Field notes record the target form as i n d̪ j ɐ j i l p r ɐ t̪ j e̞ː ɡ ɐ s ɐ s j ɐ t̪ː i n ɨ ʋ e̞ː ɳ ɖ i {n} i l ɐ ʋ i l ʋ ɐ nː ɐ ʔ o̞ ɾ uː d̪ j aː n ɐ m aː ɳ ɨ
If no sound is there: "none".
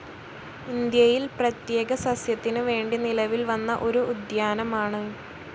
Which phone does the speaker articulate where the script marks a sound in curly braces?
n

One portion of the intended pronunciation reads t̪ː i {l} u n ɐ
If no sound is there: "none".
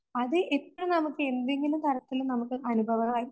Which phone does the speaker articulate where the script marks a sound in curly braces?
l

